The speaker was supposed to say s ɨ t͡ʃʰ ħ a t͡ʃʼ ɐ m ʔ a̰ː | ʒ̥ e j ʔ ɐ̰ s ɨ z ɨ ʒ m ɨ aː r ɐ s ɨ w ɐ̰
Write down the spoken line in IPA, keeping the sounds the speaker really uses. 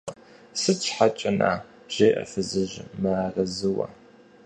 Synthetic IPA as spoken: s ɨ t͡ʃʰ ħ a t͡ʃʼ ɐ n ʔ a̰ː | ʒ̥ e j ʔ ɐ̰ f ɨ z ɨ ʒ m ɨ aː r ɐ z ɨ w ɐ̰

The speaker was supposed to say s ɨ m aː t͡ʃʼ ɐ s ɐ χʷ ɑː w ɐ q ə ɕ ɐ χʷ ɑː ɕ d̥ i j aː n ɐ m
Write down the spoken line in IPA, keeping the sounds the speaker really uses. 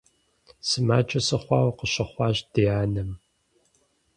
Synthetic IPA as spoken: s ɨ m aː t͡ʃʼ ɐ s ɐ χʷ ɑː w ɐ q ə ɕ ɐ χʷ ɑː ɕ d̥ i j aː n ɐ m

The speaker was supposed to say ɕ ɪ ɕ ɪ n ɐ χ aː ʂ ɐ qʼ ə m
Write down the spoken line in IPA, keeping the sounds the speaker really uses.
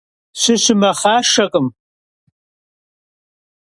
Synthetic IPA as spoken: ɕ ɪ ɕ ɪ m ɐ χ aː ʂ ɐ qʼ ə m

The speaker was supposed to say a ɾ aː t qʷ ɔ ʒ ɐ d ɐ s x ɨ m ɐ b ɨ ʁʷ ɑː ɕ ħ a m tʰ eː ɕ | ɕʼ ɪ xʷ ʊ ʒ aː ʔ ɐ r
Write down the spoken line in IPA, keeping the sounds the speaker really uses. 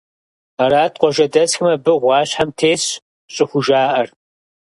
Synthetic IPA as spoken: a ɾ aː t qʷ ɔ ʒ ɐ d ɐ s x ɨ m ɐ b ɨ ʁʷ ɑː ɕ ħ a m tʰ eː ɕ | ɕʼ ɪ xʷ ʊ ʒ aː ʔ ɐ r

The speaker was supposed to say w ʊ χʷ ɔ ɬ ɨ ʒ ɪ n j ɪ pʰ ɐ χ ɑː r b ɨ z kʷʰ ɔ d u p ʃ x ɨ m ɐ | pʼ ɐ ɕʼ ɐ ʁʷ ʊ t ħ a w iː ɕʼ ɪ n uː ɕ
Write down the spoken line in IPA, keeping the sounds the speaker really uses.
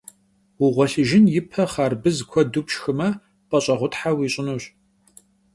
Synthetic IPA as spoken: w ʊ ʁʷ ɔ ɬ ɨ ʒ ɪ n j ɪ pʰ ɐ χ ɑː r b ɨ z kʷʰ ɔ d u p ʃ x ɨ m ɐ | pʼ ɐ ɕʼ ɐ ʁʷ ʊ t ħ a w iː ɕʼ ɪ n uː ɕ

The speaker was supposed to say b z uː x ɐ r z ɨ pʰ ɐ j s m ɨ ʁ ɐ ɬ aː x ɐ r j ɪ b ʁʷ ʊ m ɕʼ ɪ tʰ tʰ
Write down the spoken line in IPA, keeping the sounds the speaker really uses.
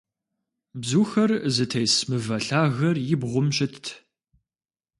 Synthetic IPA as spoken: b z uː x ɐ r z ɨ tʰ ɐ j s m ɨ v ɐ ɬ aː ɣ ɐ r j ɪ b ʁʷ ʊ m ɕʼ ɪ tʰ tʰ

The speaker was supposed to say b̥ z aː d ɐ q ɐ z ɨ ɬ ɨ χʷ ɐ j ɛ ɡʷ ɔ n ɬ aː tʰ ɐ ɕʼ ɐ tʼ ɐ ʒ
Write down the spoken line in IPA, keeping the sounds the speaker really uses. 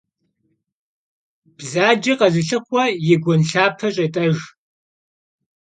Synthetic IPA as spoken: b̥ z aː d͡ʒ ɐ q ɐ z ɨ ɬ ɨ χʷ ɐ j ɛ ɡʷ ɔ n ɬ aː pʰ ɐ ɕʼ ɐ tʼ ɐ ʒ

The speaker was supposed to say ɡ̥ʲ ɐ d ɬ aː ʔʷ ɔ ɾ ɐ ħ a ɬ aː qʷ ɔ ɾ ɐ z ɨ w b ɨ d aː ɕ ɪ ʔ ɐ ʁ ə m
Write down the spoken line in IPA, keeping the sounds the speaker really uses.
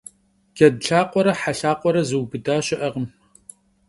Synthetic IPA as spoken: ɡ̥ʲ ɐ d ɬ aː qʷ ɔ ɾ ɐ ħ a ɬ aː qʷ ɔ ɾ ɐ z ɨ w b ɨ d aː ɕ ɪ ʔ ɐ ʁ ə m

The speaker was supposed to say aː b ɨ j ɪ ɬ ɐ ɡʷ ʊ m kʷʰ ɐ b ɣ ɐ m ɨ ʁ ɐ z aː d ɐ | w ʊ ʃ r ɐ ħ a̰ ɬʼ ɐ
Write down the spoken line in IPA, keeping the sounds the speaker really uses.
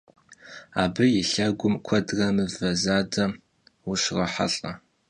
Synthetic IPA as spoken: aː b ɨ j ɪ ɬ ɐ ɡʷ ʊ m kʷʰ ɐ d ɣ ɐ m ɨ v ɐ z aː d ɐ | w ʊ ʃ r ɐ ħ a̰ ɬʼ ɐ

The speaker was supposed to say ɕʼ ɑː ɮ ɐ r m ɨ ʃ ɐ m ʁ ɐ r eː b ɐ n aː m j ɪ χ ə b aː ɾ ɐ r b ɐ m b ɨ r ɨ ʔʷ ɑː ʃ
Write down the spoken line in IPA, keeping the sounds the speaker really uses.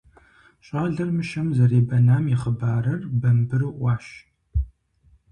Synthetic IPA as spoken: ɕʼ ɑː ɮ ɐ r m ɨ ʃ ɐ m z ɐ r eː b ɐ n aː m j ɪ χ ə b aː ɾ ɐ r b ɐ m b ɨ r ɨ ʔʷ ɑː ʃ

